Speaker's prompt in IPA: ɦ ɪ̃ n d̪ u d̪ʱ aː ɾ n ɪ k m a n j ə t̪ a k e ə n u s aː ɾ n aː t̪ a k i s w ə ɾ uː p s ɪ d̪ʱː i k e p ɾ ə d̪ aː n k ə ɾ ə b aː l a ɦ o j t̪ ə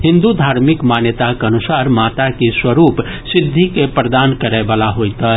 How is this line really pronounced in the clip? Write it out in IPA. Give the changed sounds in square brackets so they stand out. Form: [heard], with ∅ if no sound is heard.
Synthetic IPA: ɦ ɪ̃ n d̪ u d̪ʱ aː ɾ [m] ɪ k m a n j ə t̪ a k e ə n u s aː ɾ [m] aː t̪ a k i s w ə ɾ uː p s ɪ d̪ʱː i k e p ɾ ə d̪ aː n k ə ɾ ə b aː l a ɦ o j t̪ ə

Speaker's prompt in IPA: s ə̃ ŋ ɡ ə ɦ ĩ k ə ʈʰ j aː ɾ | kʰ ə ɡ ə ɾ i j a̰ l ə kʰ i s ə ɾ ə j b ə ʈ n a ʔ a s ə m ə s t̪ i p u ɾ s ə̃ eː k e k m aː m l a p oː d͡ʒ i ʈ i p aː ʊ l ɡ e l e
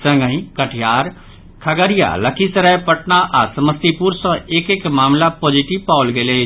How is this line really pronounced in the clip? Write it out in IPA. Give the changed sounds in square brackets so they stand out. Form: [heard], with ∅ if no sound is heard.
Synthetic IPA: s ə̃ ŋ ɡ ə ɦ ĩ k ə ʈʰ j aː ɾ | kʰ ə ɡ ə ɾ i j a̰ l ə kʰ i s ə ɾ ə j [p] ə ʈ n a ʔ a s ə m ə s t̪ i p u ɾ s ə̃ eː k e k m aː m l a p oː d͡ʒ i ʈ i p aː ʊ l ɡ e l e

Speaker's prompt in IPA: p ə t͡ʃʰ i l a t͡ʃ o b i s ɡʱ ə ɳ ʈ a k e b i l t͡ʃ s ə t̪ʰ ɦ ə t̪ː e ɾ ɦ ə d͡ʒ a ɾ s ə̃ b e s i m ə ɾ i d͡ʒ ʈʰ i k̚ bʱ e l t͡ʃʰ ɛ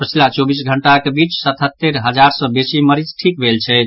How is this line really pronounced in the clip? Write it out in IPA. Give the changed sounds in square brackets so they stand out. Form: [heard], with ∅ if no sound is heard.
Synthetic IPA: p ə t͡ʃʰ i l a t͡ʃ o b i s ɡʱ ə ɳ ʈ a k e b i [∅] t͡ʃ s ə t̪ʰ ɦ ə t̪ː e ɾ ɦ ə d͡ʒ a ɾ s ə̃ b e s i m ə ɾ i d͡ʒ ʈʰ i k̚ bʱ e l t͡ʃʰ ɛ

